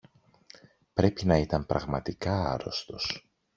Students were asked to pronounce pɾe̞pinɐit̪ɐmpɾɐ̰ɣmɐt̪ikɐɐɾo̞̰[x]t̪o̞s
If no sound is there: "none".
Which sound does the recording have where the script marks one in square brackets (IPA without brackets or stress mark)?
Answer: s